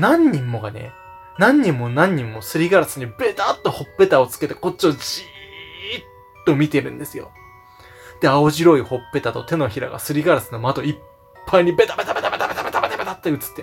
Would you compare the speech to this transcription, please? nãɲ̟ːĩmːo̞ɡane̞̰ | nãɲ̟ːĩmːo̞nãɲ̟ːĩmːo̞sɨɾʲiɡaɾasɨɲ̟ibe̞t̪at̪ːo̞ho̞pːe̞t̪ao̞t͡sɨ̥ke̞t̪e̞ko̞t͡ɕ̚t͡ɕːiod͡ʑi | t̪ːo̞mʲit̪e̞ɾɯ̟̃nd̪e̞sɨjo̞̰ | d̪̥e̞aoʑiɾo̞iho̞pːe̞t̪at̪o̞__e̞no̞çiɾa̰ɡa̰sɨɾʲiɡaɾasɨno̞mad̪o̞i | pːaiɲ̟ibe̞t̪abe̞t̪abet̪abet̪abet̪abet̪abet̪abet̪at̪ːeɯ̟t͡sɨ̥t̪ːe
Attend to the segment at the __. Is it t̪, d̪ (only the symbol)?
t̪